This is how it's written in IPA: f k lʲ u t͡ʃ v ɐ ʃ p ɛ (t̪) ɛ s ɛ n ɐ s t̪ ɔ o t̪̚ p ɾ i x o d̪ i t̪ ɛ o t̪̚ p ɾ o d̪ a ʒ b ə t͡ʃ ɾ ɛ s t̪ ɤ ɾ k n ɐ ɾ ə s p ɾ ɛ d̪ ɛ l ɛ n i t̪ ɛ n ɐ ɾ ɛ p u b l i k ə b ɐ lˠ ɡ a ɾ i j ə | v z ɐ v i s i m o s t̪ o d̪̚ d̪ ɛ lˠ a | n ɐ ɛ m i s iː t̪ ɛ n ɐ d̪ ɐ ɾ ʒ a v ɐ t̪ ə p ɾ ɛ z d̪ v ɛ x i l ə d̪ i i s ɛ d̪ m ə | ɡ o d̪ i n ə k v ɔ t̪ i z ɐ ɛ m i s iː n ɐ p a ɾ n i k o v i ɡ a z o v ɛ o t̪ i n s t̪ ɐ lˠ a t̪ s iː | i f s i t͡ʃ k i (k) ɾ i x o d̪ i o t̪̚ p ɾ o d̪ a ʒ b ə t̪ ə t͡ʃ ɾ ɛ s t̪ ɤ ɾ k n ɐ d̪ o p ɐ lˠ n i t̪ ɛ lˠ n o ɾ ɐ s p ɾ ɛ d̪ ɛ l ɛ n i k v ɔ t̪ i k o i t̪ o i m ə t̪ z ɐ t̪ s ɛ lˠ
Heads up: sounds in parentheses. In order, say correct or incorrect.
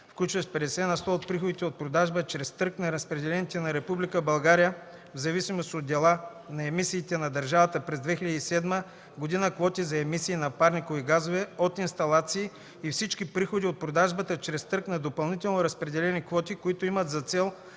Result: incorrect: d̪, incorrect: p

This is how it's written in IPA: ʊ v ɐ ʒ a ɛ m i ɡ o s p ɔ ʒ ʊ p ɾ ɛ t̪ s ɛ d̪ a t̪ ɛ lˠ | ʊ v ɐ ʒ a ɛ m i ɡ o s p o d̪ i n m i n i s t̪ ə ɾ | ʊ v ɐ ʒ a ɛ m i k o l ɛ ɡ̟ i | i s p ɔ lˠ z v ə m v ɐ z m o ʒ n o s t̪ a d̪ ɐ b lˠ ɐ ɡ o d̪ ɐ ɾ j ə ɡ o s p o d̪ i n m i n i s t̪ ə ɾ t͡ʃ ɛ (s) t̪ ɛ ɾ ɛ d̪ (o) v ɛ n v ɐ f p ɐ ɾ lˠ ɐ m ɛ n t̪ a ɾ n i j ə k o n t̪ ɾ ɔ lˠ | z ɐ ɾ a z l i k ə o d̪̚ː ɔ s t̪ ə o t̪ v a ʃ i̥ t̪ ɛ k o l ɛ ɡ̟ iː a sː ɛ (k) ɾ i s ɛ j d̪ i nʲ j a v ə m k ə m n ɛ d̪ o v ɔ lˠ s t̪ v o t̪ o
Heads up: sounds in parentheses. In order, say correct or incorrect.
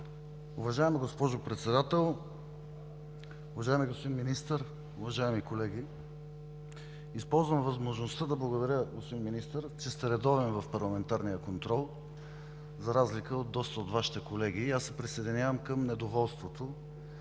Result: correct, incorrect: ɔ, incorrect: p

